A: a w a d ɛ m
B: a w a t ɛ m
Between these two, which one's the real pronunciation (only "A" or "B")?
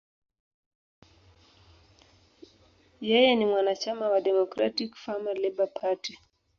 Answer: A